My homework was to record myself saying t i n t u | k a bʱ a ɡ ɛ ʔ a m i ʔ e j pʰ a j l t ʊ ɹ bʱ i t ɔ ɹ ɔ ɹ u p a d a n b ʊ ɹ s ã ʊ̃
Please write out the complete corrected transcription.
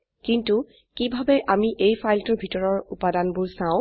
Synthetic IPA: k i n t u | k i bʱ a b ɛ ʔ a m i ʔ e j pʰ a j l t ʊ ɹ bʱ i t ɔ ɹ ɔ ɹ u p a d a n b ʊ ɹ s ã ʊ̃